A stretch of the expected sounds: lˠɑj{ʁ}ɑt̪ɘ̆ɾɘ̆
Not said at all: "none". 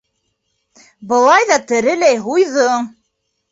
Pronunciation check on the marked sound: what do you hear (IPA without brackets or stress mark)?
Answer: ð